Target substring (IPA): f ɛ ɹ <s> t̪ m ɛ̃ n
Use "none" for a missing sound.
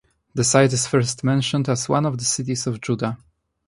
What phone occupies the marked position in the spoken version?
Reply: s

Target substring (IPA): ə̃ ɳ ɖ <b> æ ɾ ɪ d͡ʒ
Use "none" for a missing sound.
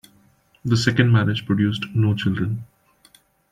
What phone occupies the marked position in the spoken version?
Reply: m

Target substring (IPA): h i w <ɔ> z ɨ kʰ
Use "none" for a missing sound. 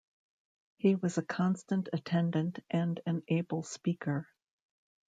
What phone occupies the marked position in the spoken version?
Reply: ʌ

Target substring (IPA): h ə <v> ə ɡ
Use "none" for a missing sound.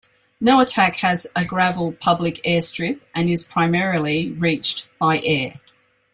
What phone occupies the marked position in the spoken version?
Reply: z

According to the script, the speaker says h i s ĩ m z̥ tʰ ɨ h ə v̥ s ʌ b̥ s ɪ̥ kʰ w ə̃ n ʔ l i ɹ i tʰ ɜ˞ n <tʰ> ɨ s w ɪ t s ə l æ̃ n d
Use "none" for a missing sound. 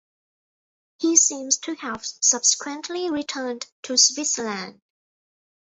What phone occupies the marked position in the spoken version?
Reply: tʰ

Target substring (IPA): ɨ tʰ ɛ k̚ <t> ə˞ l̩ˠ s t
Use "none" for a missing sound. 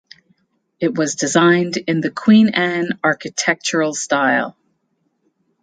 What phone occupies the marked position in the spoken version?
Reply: t͡ʃ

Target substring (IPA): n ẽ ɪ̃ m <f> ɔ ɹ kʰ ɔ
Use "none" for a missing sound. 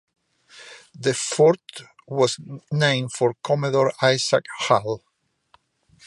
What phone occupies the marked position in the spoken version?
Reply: f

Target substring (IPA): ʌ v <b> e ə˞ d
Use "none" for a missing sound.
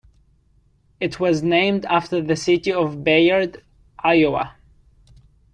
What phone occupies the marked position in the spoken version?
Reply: b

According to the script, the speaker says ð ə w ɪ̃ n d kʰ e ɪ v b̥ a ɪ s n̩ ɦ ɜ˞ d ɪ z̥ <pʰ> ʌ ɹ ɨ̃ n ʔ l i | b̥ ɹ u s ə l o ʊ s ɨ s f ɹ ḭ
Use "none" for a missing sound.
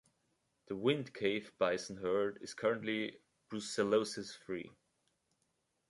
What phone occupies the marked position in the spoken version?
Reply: kʰ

